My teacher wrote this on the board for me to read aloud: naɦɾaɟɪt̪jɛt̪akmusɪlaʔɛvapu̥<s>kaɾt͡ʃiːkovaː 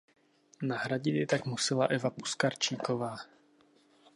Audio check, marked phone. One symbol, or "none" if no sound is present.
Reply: s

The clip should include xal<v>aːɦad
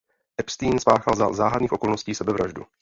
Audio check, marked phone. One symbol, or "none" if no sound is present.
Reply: z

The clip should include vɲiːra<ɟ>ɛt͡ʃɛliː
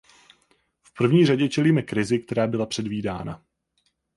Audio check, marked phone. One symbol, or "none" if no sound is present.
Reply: ɟ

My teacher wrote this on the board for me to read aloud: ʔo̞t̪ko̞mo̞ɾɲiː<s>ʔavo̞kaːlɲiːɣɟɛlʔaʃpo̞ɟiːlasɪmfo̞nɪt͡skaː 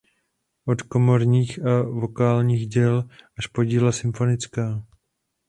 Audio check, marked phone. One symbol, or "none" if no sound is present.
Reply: x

